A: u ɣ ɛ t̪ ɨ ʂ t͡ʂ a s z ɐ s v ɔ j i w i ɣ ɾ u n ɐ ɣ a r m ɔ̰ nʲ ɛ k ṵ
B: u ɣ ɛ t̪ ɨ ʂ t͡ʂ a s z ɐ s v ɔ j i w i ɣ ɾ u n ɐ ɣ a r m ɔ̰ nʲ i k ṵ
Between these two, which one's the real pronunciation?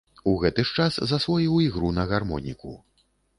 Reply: B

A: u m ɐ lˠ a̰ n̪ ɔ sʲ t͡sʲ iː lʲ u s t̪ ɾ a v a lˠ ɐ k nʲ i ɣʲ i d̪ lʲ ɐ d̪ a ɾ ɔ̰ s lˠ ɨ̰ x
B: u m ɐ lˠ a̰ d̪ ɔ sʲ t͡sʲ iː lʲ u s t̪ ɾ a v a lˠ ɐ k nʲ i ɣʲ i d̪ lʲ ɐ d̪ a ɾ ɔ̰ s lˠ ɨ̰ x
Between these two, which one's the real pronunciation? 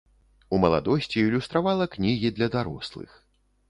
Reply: B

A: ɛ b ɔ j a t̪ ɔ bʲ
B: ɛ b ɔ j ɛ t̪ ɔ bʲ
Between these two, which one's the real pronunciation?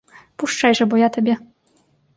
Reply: A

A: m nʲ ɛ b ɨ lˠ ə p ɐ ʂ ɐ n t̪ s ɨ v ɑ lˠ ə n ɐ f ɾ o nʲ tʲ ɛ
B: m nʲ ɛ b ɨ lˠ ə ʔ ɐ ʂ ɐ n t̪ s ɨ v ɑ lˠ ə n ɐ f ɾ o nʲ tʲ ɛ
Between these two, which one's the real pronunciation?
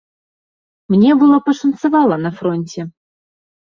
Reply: A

